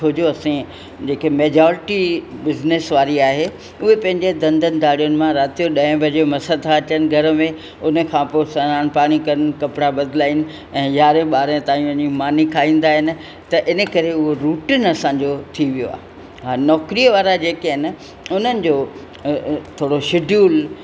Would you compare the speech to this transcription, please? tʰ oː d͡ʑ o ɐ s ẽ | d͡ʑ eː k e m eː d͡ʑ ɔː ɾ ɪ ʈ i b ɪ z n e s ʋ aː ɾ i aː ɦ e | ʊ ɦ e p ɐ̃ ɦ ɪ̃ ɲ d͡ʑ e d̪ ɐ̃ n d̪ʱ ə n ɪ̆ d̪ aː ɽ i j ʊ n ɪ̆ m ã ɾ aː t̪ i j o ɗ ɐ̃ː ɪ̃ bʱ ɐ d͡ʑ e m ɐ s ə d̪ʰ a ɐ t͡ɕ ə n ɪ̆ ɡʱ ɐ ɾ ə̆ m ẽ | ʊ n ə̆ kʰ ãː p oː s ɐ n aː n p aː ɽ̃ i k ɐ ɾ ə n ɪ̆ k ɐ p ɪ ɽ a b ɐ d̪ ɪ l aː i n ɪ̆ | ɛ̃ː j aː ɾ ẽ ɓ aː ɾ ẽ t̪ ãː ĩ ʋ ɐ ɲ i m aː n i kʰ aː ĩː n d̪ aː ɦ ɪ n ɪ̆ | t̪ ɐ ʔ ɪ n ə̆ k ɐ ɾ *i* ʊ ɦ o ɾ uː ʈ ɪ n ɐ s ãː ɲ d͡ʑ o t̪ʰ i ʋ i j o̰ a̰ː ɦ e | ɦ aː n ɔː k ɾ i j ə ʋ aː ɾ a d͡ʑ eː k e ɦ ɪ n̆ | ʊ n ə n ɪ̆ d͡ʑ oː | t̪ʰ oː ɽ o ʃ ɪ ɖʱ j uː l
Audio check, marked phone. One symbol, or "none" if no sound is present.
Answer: e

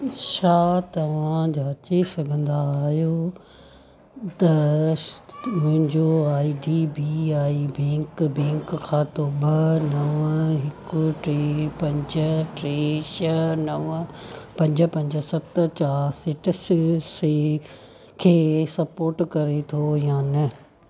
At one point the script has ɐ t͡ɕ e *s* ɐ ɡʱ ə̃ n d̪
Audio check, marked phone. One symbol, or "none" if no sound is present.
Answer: s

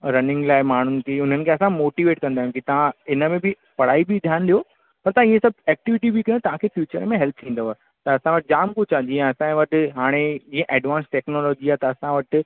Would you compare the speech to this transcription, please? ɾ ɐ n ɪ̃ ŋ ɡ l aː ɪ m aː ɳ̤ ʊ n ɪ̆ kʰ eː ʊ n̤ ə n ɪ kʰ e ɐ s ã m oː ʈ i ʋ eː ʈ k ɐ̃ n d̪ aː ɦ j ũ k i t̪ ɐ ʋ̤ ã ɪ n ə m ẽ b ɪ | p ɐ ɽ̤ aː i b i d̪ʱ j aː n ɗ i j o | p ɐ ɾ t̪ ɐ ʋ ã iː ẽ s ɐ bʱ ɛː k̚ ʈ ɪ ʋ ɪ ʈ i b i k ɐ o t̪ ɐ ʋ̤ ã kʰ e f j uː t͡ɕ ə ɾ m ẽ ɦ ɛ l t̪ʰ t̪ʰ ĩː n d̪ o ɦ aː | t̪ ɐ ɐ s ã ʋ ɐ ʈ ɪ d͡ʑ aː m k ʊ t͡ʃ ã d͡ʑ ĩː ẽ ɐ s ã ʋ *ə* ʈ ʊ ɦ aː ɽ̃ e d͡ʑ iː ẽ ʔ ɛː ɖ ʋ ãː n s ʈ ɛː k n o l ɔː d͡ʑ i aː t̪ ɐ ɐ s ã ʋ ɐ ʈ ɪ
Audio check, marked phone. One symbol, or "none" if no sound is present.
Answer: ɐ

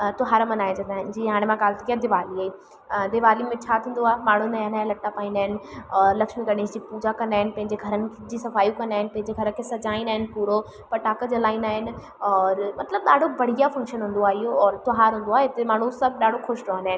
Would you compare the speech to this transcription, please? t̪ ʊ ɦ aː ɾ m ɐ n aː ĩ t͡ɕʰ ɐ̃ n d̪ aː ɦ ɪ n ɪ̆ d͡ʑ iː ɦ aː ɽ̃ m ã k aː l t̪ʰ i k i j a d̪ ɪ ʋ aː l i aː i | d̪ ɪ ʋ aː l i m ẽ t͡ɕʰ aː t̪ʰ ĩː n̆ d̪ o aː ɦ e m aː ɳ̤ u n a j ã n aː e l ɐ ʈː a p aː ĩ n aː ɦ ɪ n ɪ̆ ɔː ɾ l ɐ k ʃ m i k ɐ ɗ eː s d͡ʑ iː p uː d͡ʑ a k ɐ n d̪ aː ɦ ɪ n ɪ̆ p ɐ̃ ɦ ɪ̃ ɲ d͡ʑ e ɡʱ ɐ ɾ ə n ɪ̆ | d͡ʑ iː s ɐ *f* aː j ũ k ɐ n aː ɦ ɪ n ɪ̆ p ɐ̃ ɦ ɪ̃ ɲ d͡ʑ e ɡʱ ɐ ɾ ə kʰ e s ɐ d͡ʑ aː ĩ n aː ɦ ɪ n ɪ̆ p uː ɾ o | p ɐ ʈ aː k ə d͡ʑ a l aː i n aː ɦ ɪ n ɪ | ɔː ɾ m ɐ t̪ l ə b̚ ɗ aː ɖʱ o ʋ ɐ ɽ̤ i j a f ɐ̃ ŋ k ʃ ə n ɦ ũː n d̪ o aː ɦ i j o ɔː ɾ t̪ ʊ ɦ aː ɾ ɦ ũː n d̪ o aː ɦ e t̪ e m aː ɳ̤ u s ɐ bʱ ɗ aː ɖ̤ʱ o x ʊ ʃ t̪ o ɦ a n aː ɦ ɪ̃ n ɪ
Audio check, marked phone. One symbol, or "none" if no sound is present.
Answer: f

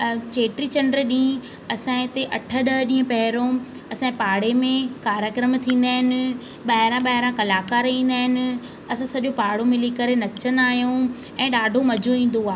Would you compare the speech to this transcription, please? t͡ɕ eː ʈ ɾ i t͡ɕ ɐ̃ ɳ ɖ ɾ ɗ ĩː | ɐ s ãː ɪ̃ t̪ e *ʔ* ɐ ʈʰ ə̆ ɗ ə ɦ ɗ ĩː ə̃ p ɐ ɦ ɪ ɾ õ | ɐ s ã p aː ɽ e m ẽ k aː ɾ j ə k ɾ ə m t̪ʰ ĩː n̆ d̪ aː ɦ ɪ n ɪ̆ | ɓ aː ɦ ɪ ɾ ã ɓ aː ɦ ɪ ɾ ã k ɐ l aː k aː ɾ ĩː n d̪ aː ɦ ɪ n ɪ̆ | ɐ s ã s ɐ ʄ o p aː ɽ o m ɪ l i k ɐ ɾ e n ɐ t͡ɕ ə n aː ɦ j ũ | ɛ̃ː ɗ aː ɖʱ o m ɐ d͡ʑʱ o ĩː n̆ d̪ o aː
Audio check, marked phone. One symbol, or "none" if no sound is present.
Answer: ʔ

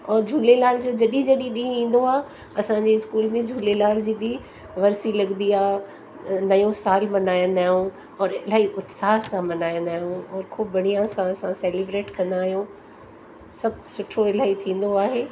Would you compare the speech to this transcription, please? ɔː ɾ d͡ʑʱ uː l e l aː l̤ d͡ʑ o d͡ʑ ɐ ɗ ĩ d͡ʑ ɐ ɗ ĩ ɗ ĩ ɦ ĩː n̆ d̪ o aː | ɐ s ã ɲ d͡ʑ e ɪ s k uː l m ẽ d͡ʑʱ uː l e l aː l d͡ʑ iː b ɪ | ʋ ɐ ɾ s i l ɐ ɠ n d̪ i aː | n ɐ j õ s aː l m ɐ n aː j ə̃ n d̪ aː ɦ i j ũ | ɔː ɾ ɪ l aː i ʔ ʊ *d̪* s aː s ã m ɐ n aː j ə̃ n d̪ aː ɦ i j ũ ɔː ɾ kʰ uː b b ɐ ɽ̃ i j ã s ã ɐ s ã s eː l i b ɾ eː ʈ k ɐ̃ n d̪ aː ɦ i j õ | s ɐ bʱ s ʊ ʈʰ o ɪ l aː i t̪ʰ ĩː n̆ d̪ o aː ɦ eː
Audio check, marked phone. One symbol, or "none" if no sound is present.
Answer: t̪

